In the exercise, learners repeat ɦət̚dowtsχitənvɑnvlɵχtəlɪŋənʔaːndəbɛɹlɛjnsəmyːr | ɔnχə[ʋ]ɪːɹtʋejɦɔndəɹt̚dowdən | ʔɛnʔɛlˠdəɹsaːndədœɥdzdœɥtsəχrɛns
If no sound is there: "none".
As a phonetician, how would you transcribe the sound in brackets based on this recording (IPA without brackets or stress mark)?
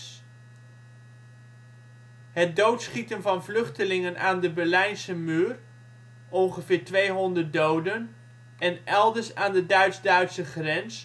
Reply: v